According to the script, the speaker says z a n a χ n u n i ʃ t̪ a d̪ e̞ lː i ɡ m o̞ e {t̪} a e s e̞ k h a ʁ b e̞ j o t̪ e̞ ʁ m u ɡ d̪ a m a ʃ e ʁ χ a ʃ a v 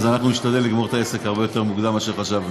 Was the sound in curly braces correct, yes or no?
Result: yes